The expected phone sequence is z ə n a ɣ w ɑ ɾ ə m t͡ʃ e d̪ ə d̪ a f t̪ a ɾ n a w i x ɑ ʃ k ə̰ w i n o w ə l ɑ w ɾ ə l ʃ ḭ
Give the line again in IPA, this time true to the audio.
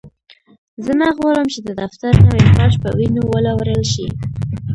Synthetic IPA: z ə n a ɣ w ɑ ɾ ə m t͡ʃ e d̪ ə d̪ a f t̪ a ɾ n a w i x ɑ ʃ p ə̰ w i n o w ə l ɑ w ɾ ə l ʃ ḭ